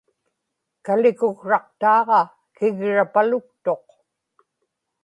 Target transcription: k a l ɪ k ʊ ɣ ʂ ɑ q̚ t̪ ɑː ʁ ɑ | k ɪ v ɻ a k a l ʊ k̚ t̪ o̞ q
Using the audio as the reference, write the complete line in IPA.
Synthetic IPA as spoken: k a l ɪ k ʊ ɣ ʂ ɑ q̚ t̪ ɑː ʁ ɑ | k ɪ ɣ ɻ a p a l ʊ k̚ t̪ o̞ q